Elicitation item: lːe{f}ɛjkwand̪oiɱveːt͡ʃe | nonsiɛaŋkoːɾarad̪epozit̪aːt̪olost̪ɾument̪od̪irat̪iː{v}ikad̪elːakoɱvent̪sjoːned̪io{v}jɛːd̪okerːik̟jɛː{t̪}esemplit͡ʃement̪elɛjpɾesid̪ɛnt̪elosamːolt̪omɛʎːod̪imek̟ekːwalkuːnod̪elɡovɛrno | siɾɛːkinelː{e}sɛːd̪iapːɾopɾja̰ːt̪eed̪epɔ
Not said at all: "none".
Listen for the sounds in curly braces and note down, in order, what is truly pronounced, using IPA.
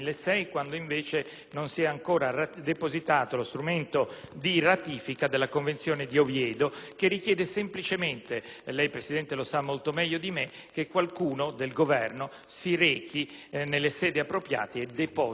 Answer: s, f, v, d̪, e

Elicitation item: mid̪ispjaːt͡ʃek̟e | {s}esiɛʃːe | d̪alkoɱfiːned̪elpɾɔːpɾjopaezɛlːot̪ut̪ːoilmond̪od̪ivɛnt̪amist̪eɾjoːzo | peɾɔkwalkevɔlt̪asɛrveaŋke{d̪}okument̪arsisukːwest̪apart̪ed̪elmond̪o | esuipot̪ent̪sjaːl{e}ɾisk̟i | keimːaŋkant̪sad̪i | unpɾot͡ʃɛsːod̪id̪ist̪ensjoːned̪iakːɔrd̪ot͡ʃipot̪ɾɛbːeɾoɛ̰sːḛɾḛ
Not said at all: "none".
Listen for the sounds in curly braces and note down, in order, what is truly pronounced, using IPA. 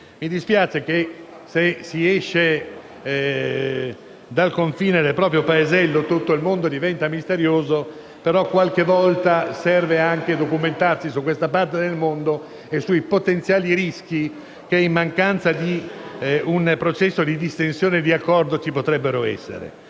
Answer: s, d̪, i

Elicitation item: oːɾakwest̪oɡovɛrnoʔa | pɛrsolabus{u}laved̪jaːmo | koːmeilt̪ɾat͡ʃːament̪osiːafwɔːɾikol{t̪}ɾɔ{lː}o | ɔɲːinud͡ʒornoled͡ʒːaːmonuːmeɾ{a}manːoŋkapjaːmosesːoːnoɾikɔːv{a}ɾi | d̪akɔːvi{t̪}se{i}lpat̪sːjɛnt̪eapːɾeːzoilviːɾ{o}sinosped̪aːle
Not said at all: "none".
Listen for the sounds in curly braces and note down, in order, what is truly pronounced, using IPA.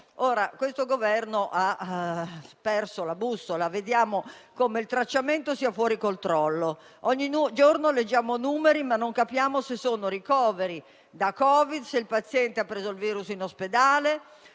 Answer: o, t̪, lː, i, e, d̪, i, u

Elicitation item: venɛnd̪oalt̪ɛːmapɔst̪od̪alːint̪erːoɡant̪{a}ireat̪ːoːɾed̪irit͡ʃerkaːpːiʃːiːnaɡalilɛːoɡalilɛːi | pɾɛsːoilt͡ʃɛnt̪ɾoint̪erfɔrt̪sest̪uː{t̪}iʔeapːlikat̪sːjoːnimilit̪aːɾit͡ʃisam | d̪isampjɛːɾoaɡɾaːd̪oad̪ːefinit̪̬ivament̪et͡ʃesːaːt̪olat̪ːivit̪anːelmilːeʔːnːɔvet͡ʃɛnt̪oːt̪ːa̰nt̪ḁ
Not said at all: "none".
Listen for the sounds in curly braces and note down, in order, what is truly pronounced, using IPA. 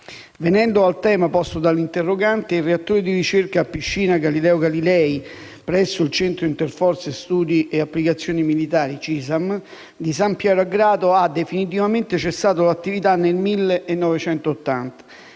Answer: e, d̪

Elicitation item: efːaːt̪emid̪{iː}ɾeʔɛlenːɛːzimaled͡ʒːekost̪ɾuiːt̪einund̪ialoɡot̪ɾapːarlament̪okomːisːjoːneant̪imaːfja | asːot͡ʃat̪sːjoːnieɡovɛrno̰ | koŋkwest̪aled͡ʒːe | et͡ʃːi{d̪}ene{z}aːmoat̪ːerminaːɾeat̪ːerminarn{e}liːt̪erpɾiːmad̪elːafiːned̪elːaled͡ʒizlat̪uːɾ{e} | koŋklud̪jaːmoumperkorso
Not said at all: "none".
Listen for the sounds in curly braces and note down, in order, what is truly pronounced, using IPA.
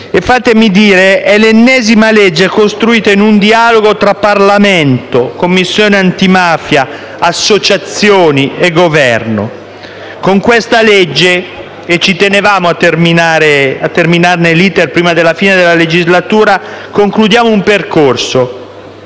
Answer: iː, t̪, v, e, a

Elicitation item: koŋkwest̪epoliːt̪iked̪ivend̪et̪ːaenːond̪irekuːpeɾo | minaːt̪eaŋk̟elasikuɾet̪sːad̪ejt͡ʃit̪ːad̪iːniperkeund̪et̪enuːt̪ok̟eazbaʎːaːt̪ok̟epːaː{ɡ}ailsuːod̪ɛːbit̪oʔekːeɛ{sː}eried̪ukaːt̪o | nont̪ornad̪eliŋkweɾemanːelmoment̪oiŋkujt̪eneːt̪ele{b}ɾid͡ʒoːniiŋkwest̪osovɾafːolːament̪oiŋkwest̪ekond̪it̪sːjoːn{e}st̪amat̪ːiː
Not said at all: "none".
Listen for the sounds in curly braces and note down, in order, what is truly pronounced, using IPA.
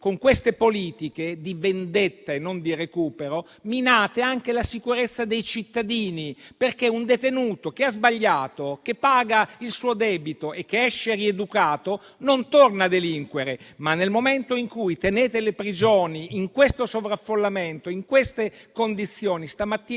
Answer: ɡ, ʃː, p, i

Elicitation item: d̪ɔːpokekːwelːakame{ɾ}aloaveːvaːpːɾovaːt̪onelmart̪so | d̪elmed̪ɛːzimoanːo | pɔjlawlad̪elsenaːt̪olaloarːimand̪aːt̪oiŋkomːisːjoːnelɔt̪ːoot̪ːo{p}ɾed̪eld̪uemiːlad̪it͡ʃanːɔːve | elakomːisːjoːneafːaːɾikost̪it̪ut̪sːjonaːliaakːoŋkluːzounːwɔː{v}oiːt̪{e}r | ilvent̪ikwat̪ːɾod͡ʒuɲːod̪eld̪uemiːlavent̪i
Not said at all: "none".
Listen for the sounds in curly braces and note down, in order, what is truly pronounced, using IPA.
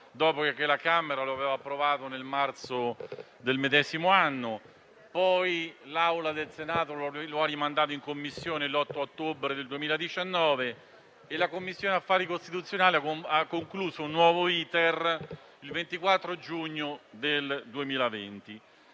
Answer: ɾ, b, v, e

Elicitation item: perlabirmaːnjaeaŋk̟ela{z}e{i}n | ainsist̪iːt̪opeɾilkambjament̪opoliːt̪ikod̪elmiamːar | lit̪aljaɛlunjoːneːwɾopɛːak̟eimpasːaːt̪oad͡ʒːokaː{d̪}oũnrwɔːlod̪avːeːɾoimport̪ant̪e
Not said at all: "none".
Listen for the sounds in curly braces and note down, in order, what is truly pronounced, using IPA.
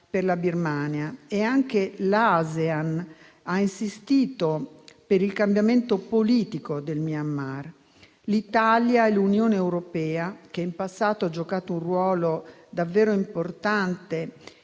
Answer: z, a, t̪

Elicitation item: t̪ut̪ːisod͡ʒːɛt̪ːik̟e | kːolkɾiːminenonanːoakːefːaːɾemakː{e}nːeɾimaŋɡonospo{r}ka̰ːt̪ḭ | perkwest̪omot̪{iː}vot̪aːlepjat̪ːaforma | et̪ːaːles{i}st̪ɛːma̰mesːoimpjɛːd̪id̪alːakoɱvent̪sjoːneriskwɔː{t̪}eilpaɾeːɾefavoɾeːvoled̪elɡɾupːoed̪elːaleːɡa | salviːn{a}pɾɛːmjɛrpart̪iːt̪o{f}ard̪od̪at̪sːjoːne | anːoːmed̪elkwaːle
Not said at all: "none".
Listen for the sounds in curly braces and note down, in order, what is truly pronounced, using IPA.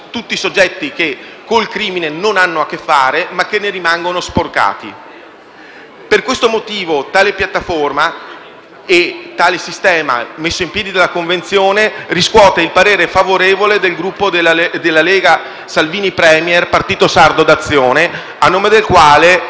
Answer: e, r, iː, i, t̪, i, s

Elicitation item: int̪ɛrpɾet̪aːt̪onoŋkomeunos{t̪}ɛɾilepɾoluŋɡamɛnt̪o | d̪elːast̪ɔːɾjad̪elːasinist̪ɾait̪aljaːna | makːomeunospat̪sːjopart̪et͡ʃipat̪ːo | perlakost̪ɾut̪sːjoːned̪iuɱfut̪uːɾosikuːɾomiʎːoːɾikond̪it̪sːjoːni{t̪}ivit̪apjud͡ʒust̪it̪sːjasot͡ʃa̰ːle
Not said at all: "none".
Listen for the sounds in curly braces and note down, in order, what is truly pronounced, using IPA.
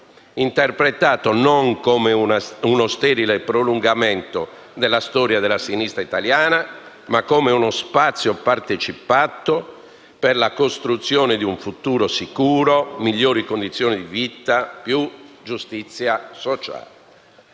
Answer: t̪, d̪

